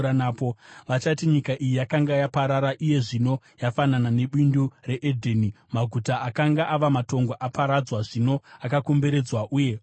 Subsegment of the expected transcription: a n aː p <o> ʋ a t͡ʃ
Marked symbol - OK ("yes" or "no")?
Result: yes